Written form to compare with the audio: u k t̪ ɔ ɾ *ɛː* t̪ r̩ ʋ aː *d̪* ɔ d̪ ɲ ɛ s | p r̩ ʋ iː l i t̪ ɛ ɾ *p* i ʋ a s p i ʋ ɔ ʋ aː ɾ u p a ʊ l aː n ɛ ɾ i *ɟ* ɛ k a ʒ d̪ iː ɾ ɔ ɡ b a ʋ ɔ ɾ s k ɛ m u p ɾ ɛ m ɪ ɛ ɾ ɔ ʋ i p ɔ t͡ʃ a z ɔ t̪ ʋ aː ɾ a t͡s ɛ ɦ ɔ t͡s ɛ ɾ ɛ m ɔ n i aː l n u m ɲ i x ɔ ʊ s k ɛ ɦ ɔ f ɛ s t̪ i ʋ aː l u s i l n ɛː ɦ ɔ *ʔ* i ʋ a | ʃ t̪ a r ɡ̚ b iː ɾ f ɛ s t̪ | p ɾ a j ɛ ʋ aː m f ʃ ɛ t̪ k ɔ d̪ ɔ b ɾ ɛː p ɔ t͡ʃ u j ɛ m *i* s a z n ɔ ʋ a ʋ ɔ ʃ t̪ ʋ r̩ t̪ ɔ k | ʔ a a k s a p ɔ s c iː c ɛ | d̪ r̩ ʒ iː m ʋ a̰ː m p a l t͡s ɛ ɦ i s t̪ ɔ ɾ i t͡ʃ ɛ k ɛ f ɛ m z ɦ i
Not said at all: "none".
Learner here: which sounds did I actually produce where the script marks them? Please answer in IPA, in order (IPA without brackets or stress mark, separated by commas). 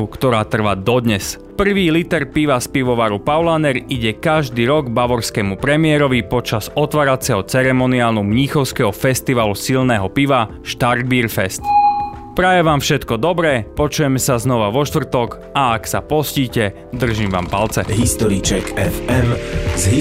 aː, d̪, p, ɟ, p, ɛ